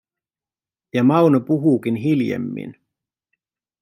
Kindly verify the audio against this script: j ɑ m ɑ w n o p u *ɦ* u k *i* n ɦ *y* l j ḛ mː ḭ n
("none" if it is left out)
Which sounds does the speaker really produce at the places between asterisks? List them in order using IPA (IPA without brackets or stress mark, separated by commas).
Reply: ɦ, i, i